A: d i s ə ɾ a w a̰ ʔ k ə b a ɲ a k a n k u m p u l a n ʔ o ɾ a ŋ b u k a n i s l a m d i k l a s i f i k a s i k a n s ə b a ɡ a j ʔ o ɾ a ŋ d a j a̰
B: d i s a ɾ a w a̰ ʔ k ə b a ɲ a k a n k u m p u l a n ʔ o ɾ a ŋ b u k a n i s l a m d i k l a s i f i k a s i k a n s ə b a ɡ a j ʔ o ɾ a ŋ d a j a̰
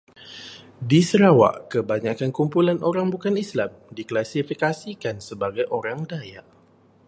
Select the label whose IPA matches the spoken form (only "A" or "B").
A